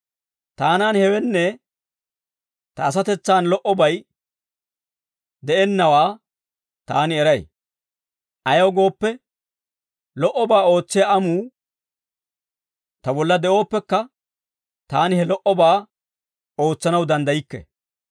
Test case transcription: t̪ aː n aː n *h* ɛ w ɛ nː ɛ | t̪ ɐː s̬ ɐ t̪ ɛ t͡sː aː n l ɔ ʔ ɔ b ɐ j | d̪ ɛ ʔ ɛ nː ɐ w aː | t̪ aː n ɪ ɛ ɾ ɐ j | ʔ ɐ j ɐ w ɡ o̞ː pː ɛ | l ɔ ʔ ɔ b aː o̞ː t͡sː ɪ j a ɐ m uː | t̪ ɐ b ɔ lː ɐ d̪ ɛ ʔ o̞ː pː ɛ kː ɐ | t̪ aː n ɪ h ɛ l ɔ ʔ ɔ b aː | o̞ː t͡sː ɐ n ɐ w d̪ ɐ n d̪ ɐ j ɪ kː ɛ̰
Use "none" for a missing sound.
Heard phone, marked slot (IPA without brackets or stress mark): h